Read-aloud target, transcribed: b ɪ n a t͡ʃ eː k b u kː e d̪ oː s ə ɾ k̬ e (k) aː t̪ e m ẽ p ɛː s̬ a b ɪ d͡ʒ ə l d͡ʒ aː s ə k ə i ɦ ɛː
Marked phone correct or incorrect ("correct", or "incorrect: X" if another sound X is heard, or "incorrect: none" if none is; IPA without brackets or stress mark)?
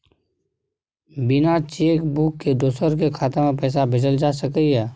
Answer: incorrect: kʰ